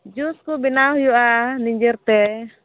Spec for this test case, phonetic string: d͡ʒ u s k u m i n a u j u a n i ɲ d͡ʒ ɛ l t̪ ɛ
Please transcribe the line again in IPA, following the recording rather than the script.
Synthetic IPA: d͡ʒ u s k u b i n a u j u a n i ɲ d͡ʒ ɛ r t̪ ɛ